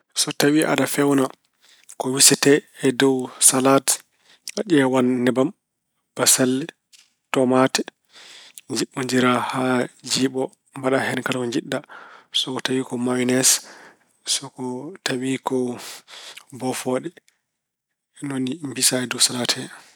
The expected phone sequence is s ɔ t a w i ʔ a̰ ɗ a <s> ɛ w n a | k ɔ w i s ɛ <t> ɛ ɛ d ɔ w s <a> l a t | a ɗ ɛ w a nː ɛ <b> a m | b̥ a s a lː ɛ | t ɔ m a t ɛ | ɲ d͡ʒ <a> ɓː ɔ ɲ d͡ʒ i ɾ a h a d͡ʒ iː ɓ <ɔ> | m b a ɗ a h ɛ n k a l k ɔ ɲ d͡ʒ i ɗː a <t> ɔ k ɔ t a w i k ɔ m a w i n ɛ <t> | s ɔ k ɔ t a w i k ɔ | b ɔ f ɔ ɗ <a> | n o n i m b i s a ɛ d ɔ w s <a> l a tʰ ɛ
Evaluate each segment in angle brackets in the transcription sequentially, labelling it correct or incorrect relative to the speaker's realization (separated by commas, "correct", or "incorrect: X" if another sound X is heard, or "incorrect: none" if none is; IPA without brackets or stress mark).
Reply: incorrect: f, correct, correct, correct, incorrect: i, correct, incorrect: s, incorrect: s, incorrect: ɛ, correct